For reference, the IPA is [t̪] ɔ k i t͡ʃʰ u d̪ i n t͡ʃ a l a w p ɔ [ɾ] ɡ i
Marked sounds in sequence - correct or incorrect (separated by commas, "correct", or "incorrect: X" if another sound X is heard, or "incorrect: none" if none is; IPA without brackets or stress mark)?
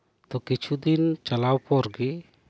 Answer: correct, correct